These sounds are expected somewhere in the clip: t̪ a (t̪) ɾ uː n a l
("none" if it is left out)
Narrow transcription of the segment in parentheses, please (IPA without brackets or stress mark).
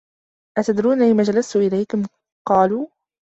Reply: d̪